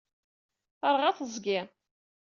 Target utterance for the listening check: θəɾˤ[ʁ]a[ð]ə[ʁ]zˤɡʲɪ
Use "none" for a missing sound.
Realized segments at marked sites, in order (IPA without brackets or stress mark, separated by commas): ʁ, θ, none